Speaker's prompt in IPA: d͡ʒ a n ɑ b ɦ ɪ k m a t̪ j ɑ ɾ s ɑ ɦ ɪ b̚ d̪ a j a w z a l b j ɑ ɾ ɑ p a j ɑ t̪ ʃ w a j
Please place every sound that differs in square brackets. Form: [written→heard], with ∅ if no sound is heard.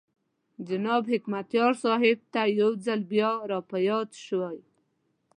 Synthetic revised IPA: d͡ʒ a n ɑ b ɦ ɪ k m a t̪ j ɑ ɾ s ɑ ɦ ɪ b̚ [d̪→t̪] a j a w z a l b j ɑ ɾ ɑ p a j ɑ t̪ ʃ w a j